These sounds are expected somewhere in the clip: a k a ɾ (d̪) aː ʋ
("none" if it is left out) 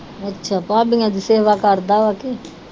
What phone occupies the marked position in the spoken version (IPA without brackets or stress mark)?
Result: d̪